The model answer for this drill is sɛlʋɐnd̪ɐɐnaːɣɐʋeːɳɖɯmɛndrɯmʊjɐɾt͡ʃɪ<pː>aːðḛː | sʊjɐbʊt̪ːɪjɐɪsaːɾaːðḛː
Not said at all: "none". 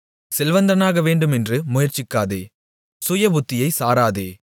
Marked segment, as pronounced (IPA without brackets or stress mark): kː